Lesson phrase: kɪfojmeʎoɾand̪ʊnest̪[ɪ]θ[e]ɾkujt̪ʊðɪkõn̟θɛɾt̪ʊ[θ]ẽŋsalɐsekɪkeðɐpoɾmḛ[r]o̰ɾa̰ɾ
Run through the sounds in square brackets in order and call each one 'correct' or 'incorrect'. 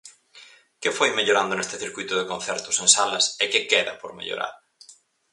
correct, incorrect: i, incorrect: s, incorrect: ʎ

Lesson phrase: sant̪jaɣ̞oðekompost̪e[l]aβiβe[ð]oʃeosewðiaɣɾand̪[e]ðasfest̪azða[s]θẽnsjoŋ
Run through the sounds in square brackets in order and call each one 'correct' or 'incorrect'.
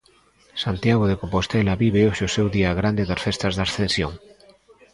correct, incorrect: none, correct, correct

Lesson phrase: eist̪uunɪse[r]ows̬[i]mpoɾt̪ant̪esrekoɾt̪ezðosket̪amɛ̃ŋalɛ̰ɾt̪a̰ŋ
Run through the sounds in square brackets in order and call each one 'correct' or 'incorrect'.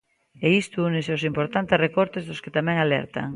incorrect: none, correct

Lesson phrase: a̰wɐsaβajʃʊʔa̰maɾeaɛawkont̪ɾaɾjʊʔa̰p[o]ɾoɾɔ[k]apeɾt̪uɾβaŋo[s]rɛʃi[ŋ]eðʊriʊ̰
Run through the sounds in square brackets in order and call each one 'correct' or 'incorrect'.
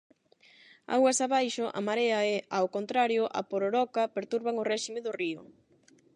correct, correct, incorrect: none, incorrect: m

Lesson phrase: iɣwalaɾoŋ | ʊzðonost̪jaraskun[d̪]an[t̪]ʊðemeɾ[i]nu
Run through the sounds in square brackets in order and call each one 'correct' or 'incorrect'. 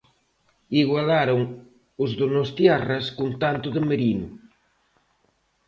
incorrect: t̪, correct, correct

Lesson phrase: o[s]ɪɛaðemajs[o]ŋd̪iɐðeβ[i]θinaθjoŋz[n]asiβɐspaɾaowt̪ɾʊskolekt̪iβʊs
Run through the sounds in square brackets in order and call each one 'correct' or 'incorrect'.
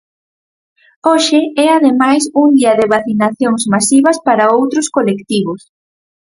incorrect: ʃ, incorrect: u, incorrect: a, incorrect: m

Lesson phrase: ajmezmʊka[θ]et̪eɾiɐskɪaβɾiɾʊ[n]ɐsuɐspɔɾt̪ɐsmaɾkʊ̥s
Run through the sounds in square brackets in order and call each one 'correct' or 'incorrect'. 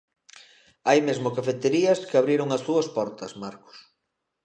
incorrect: f, incorrect: ŋ

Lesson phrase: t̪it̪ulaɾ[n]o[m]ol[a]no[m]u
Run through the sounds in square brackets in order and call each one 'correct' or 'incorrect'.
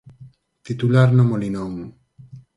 correct, correct, incorrect: i, correct

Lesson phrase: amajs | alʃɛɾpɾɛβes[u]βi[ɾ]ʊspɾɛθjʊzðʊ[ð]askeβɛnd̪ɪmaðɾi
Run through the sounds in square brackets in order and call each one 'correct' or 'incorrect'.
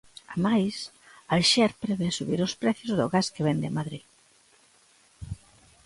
correct, correct, incorrect: ɣ

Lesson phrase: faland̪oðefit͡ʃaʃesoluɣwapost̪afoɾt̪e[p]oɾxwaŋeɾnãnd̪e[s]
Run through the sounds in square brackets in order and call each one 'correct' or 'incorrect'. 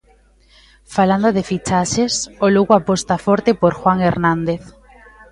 correct, incorrect: θ

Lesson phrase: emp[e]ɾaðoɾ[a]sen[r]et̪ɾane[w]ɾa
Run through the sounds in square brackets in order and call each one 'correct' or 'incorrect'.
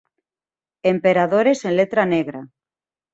correct, incorrect: e, incorrect: l, incorrect: ɣ

